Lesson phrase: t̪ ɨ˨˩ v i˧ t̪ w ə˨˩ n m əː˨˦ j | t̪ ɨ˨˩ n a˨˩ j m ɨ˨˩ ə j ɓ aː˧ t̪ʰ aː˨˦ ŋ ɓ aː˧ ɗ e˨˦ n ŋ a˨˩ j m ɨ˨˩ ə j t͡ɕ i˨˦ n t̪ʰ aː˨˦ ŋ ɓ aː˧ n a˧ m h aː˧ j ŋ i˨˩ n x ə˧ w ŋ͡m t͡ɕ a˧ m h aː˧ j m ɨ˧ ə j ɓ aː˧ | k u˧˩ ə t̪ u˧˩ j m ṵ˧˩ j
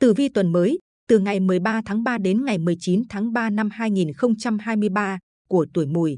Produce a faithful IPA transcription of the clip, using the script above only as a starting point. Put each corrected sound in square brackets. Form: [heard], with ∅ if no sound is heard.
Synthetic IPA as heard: t̪ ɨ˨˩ v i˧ t̪ w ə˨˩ n m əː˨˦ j | t̪ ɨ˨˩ [ŋ] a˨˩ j m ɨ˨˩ ə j ɓ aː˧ t̪ʰ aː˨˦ ŋ ɓ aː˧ ɗ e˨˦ n ŋ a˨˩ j m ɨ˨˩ ə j t͡ɕ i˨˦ n t̪ʰ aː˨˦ ŋ ɓ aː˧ n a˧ m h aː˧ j ŋ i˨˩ n x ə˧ w ŋ͡m t͡ɕ a˧ m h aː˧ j m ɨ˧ ə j ɓ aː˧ | k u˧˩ ə t̪ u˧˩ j m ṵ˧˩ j